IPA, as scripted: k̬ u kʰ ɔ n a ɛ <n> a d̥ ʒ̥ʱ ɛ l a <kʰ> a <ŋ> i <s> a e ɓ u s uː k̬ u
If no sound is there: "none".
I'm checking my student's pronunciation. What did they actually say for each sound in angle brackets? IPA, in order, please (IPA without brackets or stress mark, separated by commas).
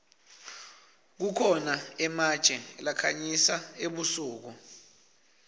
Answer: m, kʰ, ɲ, s